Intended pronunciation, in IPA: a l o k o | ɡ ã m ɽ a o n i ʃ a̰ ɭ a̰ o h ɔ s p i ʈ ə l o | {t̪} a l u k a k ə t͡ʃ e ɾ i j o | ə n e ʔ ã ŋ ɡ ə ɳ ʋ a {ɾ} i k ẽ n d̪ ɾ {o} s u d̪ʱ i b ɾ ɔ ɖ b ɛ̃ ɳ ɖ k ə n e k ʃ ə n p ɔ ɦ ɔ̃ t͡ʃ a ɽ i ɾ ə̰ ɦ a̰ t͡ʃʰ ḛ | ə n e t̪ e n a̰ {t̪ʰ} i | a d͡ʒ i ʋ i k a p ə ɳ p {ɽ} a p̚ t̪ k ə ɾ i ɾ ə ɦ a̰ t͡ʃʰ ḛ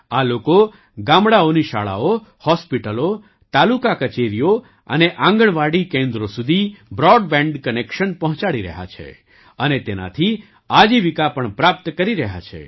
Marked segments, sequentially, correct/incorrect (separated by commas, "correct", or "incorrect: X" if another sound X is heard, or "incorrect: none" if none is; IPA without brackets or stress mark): correct, incorrect: ɽ, correct, correct, incorrect: ɾ